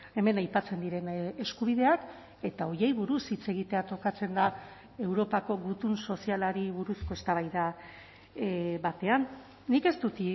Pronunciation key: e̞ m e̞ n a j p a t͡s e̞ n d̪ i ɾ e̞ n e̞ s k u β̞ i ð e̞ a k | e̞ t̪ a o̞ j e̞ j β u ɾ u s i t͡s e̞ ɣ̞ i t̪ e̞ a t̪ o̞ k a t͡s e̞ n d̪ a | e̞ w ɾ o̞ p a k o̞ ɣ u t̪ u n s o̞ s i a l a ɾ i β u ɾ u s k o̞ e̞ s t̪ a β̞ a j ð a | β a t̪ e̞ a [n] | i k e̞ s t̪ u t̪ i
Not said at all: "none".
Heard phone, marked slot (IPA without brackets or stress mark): nː